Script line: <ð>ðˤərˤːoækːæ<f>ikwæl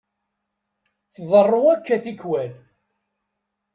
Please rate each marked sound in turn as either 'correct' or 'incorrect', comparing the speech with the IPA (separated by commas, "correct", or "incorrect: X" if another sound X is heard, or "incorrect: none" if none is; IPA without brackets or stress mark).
incorrect: θ, incorrect: θ